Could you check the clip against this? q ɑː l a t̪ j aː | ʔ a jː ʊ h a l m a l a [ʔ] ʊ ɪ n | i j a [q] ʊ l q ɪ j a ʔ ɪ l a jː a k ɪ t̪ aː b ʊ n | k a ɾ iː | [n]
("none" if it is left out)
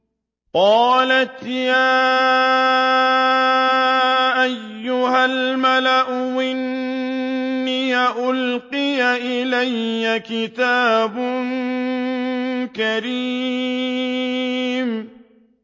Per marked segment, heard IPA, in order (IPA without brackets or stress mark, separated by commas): ʔ, ʔ, m